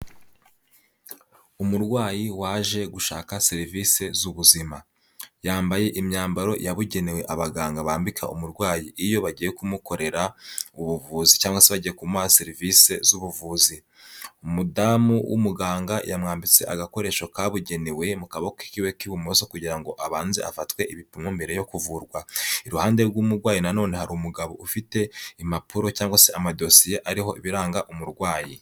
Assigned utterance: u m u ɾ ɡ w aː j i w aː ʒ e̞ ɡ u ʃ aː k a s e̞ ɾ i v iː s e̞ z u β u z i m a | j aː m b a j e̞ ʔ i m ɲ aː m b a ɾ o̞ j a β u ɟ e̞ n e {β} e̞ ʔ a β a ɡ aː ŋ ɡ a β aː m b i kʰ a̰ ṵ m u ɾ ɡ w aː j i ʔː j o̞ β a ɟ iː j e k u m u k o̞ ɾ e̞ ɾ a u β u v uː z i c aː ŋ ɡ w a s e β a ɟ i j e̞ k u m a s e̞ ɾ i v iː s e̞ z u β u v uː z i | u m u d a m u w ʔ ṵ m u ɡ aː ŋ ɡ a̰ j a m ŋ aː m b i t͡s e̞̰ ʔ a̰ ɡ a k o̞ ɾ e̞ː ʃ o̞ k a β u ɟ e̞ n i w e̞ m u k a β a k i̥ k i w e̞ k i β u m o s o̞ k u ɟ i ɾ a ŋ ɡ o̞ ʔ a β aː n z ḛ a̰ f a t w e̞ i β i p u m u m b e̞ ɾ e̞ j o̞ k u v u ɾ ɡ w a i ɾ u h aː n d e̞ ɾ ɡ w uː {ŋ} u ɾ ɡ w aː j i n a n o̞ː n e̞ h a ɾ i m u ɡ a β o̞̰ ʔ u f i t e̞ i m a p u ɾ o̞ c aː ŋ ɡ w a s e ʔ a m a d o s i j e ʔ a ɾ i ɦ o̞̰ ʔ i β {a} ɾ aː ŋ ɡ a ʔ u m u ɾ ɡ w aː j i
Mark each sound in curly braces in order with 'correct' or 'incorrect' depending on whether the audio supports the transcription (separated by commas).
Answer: incorrect, incorrect, incorrect